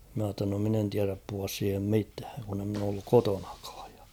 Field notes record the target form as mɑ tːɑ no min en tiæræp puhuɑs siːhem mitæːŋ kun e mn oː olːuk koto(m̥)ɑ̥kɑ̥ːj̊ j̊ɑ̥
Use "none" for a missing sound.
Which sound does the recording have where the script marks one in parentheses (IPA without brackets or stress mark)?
n̥